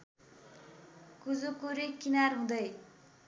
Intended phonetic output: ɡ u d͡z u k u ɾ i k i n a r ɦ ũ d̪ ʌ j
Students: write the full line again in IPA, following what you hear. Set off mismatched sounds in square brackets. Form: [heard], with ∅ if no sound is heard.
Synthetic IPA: [k] u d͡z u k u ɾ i k i n a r ɦ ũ d̪ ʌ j

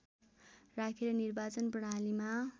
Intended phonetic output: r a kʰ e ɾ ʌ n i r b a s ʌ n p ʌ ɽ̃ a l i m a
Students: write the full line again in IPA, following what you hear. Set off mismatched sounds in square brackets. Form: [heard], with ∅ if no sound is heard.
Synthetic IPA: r a kʰ e ɾ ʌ n i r b a [t͡s] ʌ n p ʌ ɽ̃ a l i m a

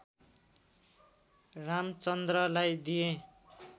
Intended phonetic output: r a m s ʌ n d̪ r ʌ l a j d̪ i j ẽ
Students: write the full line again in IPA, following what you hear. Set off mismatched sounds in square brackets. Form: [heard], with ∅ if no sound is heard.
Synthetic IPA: r a m [t͡s] ʌ n d̪ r ʌ l a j d̪ i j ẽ

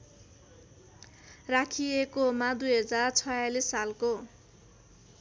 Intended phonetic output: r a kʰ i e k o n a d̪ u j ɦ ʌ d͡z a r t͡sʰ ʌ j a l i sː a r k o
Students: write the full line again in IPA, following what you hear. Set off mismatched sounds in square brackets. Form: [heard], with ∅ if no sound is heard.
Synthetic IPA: r a kʰ i e k o [m] a d̪ u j ɦ ʌ d͡z a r t͡sʰ ʌ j a l i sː a [l] k o

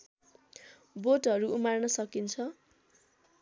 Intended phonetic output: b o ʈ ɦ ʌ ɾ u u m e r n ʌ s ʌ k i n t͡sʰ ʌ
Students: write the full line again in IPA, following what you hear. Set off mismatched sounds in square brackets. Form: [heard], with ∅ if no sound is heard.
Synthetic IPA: b o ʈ ɦ ʌ ɾ u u m [a] r n ʌ s ʌ k i n t͡sʰ ʌ

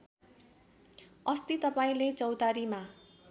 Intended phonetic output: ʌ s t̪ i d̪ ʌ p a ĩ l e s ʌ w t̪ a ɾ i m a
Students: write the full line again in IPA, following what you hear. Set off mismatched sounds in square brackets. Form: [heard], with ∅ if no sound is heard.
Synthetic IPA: ʌ s t̪ i [t̪] ʌ p a ĩ l e [t͡s] ʌ w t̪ a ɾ i m a

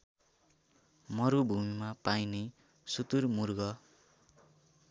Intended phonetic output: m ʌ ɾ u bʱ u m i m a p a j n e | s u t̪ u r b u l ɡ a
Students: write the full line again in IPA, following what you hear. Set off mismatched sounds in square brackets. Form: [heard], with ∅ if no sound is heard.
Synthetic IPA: m ʌ ɾ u bʱ u m i m a p a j n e | s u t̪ u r [m] u [r] ɡ [ʌ]

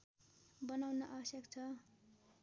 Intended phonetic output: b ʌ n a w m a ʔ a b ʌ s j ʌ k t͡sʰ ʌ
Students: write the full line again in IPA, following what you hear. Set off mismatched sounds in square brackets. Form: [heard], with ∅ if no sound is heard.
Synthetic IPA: b ʌ n a w [n] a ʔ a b ʌ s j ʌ k t͡sʰ ʌ

